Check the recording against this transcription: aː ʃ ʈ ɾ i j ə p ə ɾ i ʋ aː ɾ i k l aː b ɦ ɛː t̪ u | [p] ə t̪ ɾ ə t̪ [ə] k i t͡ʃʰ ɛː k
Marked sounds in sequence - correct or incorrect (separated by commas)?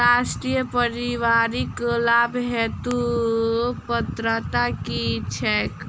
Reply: correct, incorrect